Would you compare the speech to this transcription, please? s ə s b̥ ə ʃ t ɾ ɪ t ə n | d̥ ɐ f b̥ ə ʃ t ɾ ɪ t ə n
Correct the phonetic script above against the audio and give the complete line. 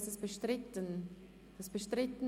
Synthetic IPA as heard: s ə s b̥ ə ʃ t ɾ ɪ t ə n | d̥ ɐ s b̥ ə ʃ t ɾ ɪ t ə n